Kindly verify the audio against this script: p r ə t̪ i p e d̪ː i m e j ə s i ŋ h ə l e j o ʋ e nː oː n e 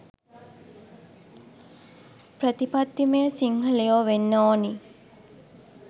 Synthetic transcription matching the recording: p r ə t̪ i p a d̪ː i m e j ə s i ŋ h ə l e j o ʋ e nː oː n i

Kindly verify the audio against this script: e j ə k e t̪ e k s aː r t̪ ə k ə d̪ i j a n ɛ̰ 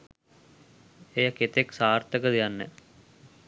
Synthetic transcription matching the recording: e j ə k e t̪ e k s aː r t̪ ə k ə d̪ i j a nː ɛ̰

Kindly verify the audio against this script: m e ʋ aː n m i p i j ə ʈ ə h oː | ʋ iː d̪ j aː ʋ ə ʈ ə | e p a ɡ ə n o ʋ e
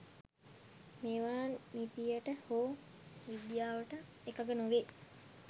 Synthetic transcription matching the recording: m e ʋ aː n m i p i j ə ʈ ə h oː | ʋ i d̪ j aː ʋ ə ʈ ə | e k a ɡ ə n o ʋ e

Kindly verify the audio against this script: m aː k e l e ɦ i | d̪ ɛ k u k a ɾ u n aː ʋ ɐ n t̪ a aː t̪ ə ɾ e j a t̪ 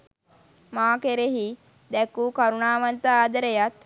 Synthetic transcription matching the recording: m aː k e ɾ e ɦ i | d̪ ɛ k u k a ɾ u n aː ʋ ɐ n t̪ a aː d̪ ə ɾ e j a t̪

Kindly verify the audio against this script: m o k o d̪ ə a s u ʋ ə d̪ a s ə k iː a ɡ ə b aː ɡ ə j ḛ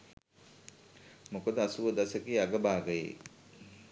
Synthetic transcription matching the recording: m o k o d̪ ə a s u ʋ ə d̪ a s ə k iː a ɡ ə b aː ɡ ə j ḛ

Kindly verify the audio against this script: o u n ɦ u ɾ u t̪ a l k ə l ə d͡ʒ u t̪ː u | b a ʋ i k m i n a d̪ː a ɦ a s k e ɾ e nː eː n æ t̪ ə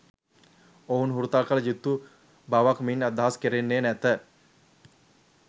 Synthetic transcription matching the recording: o u n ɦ u ɾ u t̪ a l k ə l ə d͡ʒ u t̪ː u | b a ʋ a k m i n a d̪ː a ɦ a s k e ɾ e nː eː n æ t̪ ə

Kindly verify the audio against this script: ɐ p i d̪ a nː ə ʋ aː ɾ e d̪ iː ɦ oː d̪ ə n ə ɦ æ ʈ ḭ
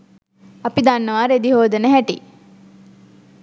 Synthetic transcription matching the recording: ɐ p i d̪ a nː ə ʋ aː ɾ e d̪ i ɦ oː d̪ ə n ə ɦ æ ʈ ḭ

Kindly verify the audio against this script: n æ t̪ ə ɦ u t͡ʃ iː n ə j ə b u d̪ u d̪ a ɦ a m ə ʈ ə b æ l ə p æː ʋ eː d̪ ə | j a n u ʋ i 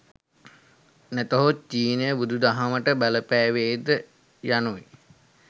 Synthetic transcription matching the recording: n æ t̪ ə ɦ o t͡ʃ iː n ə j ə b u d̪ u d̪ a ɦ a m ə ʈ ə b æ l ə p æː ʋ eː d̪ ə | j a n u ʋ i

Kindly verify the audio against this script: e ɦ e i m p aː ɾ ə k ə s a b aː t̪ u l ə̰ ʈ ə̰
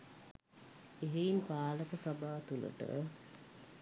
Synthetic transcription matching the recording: e ɦ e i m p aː l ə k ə s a b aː t̪ u l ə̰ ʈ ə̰

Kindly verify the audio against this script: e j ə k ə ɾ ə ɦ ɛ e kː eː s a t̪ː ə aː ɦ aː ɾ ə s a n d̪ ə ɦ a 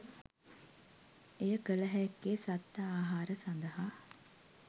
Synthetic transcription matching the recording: e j ə k ə l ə ɦ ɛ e kː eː s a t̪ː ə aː ɦ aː ɾ ə s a n d̪ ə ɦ a

